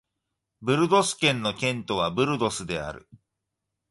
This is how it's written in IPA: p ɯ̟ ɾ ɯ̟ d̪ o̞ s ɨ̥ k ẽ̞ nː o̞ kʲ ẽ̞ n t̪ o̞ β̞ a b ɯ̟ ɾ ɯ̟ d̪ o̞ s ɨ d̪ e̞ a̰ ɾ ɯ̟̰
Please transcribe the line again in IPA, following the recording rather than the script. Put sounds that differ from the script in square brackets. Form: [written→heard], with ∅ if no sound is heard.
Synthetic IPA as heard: [p→b] ɯ̟ ɾ ɯ̟ d̪ o̞ s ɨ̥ k ẽ̞ nː o̞ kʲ ẽ̞ n t̪ o̞ β̞ a b ɯ̟ ɾ ɯ̟ d̪ o̞ s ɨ d̪ e̞ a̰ ɾ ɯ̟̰